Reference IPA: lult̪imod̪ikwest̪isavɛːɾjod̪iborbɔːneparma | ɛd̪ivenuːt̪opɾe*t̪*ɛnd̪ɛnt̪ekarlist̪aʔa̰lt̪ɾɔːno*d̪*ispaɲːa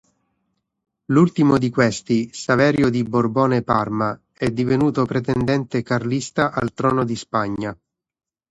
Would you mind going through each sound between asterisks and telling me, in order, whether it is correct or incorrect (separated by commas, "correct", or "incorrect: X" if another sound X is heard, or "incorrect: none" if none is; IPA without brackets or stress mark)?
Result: correct, correct